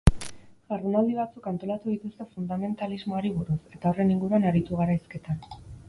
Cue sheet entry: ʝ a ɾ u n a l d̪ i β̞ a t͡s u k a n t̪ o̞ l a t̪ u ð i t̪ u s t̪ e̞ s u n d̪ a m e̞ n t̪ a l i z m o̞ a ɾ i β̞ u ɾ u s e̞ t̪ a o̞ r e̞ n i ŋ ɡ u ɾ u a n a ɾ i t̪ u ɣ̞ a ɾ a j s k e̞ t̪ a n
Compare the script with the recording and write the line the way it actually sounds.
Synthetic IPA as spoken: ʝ a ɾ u n a l d̪ i β̞ a t͡s u k a n t̪ o̞ l a t̪ u ð i t̪ u s t̪ e̞ f u n d̪ a m e̞ n t̪ a l i z m o̞ a ɾ i β̞ u ɾ u s e̞ t̪ a o̞ r e̞ n i ŋ ɡ u ɾ u a n a ɾ i t̪ u ɣ̞ a ɾ a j s k e̞ t̪ a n